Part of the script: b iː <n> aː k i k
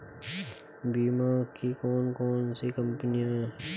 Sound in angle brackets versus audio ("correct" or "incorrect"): incorrect